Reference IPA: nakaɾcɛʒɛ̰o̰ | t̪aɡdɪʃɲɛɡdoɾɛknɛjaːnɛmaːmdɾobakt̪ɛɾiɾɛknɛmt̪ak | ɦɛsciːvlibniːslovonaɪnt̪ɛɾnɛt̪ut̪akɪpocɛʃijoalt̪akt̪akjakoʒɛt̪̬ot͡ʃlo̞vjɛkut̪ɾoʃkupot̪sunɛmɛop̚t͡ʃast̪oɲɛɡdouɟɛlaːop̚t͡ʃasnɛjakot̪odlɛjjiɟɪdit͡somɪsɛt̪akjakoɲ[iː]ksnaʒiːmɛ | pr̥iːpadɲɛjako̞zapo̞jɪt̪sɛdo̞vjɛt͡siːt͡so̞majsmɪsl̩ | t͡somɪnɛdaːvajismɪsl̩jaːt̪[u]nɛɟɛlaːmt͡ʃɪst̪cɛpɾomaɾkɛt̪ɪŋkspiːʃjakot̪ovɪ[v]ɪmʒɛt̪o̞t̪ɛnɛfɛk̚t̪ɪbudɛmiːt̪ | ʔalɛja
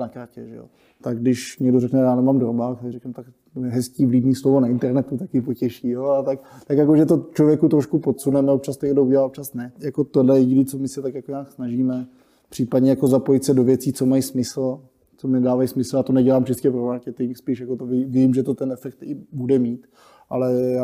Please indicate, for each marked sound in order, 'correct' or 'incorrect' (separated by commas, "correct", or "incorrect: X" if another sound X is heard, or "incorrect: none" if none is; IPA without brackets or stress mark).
incorrect: aː, incorrect: o, correct